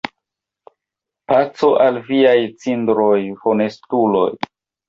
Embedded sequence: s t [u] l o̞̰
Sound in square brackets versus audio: correct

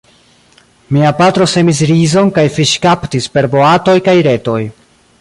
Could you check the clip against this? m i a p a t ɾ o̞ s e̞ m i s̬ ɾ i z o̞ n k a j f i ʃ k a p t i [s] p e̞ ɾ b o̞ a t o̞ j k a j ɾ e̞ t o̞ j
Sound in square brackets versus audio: correct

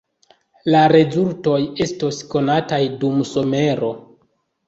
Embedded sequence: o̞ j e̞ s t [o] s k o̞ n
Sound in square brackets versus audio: correct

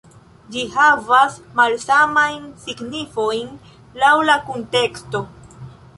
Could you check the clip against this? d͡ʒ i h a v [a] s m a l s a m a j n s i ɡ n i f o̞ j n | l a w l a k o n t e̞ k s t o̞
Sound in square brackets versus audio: correct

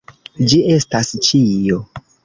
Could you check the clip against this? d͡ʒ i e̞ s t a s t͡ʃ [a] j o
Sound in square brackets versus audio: incorrect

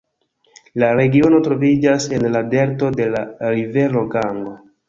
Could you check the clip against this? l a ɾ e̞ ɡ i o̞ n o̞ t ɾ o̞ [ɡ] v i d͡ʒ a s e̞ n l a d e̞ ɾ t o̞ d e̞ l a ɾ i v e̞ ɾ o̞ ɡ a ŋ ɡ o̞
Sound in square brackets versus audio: incorrect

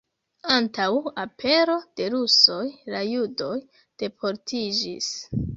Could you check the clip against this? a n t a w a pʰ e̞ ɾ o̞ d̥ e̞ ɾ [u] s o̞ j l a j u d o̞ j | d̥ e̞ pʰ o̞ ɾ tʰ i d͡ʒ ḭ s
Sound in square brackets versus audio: correct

